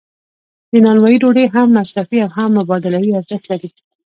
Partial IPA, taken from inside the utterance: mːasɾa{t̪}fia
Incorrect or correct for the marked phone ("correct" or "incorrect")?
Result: incorrect